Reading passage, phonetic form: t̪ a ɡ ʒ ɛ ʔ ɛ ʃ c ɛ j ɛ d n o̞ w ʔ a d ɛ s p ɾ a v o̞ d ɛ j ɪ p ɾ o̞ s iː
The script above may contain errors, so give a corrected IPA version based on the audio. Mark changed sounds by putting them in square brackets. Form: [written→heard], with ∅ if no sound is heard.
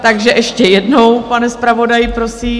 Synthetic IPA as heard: t̪ a ɡ ʒ ɛ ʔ ɛ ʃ c ɛ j ɛ d n o̞ w [ʔ→p] a [d→n] ɛ s p ɾ a v o̞ d [ɛ→a] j ɪ p ɾ o̞ s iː